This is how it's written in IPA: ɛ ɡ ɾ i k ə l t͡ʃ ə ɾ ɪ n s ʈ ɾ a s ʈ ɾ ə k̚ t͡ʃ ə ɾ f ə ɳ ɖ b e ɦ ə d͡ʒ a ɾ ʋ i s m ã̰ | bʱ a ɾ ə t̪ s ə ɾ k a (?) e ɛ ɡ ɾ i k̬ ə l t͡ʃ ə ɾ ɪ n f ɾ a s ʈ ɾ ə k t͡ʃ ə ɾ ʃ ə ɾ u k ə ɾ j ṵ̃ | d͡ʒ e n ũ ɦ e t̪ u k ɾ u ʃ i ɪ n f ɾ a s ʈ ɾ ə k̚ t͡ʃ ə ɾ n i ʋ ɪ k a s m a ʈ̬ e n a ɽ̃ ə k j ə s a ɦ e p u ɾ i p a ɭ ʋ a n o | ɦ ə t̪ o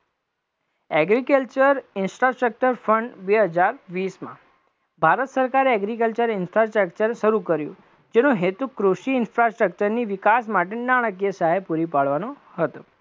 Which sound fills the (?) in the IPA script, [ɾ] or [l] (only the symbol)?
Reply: ɾ